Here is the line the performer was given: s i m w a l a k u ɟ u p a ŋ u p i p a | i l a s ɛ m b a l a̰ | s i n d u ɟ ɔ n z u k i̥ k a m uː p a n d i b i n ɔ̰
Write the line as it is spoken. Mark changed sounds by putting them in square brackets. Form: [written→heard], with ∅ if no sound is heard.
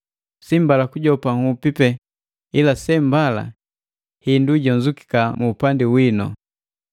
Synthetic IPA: s i m [w→b] a l a k u ɟ [u→ɔ] p a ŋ u p i p [a→ɛ] | i l a s ɛ m b a l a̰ | [s→h] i n d u ɟ ɔ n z u k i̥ k a m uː p a n d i [b→w] i n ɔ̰